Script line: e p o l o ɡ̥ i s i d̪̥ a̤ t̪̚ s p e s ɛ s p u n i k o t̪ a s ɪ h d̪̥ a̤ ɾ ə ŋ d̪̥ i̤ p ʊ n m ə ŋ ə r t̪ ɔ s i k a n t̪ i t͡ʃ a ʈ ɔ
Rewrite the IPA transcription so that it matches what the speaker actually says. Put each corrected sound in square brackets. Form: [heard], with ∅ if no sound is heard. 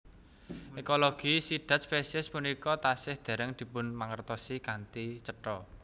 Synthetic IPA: e [k] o l o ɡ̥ i s i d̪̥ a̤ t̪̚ s p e s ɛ s p u n i k [ɔ] t̪ a s ɪ h d̪̥ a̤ ɾ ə ŋ d̪̥ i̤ p ʊ n m [a] ŋ ə r t̪ ɔ s i k a n t̪ i t͡ʃ [ə] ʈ ɔ